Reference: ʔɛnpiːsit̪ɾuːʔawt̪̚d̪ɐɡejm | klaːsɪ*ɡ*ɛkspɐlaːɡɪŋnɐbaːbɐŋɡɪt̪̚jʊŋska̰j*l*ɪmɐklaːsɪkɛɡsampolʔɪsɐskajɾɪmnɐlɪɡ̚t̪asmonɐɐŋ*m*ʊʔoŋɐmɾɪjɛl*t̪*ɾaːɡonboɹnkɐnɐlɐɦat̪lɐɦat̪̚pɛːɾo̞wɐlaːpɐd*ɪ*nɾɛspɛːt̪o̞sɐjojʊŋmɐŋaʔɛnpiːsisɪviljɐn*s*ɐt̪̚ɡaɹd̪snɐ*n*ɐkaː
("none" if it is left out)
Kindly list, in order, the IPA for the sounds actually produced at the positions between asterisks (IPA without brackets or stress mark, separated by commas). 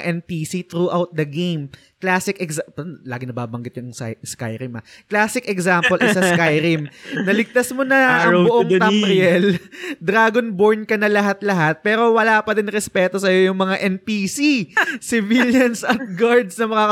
k, ɾ, b, d̪, ɪ, s, m